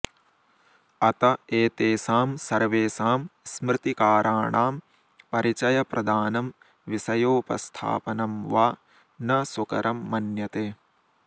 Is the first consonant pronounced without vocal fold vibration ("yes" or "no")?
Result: yes